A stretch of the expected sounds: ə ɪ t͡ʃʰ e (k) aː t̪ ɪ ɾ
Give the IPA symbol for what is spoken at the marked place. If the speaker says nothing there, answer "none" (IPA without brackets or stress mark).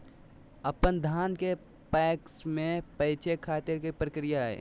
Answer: kʰ